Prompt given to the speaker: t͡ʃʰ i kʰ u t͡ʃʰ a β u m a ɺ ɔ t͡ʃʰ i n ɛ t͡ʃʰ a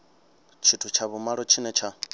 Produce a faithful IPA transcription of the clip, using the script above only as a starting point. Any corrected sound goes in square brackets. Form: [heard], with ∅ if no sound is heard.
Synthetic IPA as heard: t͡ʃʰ i [tʰ] u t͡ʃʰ a β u m a ɺ ɔ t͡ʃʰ i n ɛ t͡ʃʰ a